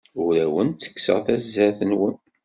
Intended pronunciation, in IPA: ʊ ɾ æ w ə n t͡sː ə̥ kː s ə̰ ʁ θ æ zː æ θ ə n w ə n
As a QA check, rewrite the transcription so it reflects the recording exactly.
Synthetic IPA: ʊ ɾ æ w ə n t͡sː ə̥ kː s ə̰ ʁ θ æ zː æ θ ə n w ə n